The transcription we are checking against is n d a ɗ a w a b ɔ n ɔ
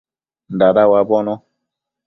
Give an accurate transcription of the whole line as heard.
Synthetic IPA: n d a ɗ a w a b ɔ n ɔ